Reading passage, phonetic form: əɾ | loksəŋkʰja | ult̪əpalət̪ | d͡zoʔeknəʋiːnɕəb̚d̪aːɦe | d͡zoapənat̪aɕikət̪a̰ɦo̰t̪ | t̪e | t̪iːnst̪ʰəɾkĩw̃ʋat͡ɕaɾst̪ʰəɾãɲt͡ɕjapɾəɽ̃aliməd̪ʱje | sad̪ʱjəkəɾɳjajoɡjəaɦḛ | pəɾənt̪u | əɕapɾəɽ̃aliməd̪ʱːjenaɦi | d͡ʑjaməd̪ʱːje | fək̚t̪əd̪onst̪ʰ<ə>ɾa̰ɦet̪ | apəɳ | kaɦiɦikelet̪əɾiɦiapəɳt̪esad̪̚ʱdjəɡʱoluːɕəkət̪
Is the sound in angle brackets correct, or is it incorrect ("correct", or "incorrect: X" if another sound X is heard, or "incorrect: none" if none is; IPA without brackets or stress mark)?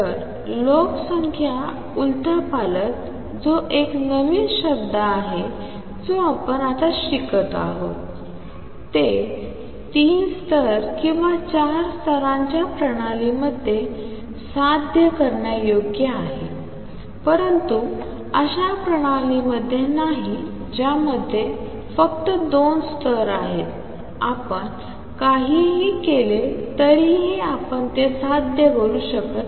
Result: correct